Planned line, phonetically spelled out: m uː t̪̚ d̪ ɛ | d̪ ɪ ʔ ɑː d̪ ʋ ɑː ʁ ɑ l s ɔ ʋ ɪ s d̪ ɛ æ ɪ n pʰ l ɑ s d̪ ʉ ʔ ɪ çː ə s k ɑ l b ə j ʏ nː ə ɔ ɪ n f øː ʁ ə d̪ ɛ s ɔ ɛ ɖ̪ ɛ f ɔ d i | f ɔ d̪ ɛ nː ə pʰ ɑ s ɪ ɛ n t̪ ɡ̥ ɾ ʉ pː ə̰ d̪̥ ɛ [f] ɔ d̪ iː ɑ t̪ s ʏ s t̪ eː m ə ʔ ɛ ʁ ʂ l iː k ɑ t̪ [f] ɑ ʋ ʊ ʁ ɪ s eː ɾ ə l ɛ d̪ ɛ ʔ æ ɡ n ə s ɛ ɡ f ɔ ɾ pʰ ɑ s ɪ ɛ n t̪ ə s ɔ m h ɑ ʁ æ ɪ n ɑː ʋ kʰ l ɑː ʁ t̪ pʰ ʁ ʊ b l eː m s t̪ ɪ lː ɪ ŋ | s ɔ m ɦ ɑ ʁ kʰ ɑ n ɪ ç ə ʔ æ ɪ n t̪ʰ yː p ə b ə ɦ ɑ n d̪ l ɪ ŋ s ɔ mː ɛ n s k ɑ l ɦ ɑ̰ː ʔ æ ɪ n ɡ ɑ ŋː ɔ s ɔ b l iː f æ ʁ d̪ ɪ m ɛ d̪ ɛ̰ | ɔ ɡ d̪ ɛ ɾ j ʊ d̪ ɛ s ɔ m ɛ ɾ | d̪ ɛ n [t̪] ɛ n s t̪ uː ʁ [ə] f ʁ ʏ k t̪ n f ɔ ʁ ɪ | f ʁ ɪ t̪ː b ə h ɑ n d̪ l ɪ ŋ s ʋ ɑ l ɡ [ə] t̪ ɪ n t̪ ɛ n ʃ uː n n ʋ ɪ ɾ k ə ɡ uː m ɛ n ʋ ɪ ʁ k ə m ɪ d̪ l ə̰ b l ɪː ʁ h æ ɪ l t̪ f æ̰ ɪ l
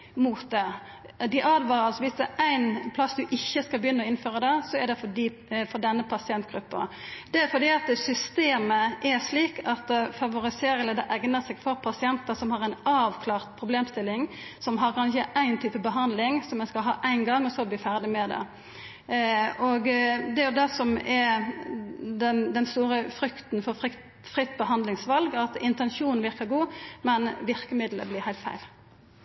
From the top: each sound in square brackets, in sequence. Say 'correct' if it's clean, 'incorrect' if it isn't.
correct, correct, incorrect, correct, incorrect

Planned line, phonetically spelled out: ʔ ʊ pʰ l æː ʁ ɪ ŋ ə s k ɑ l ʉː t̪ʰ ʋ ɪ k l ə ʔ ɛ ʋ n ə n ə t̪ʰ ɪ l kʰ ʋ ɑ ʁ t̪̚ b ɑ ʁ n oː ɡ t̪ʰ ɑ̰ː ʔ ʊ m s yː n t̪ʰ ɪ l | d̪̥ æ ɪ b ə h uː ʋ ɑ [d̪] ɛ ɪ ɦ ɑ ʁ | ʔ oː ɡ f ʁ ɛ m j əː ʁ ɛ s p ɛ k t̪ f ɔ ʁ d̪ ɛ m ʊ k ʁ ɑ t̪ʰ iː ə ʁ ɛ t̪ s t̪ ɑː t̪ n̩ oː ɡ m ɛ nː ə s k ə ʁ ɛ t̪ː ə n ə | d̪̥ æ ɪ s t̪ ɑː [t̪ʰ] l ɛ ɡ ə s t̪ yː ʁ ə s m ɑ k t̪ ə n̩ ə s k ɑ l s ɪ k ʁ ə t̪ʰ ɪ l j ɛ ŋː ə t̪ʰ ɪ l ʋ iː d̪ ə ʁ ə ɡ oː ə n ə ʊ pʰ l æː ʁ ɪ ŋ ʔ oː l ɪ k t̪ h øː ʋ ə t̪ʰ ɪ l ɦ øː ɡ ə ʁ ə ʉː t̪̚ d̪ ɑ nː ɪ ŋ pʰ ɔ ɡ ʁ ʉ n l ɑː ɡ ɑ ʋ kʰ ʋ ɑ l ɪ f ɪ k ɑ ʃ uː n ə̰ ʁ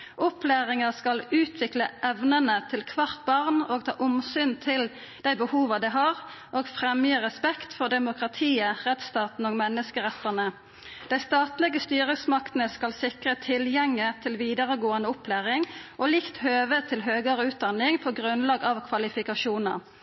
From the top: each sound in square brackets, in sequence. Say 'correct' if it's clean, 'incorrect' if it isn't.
correct, incorrect

